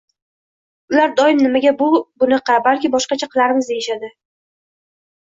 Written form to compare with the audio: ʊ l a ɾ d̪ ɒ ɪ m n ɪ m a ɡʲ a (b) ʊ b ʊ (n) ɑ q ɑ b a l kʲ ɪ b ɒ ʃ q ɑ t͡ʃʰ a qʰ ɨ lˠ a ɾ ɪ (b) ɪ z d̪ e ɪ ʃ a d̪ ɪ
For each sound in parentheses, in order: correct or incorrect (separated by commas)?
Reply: correct, correct, incorrect